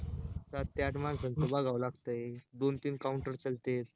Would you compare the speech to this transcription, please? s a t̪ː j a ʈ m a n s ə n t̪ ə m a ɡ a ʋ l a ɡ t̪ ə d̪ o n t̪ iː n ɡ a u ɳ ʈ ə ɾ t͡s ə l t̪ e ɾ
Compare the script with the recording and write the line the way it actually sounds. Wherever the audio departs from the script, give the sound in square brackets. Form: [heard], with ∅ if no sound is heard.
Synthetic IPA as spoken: s a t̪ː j a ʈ m a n s ə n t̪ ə [b] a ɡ a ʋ l a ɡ t̪ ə d̪ o n t̪ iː n [k] a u ɳ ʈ ə ɾ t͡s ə l t̪ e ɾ